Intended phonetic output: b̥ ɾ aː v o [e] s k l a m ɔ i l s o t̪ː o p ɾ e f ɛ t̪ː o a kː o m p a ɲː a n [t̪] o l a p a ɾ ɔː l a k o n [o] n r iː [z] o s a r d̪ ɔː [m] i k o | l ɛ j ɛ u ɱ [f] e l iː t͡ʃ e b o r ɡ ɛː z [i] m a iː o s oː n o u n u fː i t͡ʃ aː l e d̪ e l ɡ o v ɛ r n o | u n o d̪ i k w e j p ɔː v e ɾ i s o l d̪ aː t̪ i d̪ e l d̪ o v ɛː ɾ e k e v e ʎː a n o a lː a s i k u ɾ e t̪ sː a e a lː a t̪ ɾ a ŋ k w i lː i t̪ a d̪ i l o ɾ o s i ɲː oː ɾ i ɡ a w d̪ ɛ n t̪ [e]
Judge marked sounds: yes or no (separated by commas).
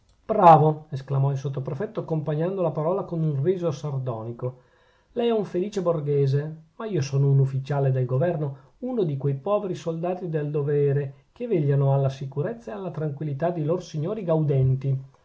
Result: yes, no, no, yes, no, yes, no, no